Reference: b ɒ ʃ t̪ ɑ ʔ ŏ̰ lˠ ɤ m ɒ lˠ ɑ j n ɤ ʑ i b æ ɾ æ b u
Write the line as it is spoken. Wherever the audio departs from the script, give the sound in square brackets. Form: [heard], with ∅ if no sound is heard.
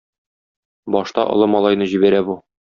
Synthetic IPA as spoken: b ɒ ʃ t̪ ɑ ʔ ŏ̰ lˠ ɤ m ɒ lˠ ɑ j n ɤ ʑ i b æ ɾ æ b u